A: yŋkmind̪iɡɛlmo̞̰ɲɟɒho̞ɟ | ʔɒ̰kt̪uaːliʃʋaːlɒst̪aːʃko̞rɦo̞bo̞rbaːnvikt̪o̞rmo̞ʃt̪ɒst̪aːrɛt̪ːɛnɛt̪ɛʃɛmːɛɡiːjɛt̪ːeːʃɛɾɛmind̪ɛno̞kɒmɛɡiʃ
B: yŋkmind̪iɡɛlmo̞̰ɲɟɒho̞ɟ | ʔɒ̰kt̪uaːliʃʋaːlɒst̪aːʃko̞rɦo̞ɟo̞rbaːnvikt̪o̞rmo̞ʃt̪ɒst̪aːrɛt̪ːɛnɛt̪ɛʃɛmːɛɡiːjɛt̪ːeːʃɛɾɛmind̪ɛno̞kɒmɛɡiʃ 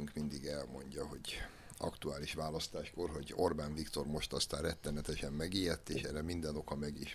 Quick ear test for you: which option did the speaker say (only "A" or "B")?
B